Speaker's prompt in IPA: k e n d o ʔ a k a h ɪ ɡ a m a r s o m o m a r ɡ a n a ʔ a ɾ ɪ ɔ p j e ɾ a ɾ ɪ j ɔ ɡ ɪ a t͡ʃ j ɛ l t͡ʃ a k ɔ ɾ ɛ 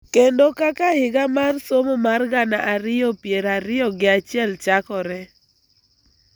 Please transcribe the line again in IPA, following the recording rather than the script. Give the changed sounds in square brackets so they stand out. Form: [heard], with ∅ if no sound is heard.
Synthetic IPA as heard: k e n d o [k] a k a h ɪ ɡ a m a r s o m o m a r ɡ a n a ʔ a ɾ ɪ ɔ p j e ɾ a ɾ ɪ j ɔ ɡ ɪ a t͡ʃ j ɛ l t͡ʃ a k ɔ ɾ ɛ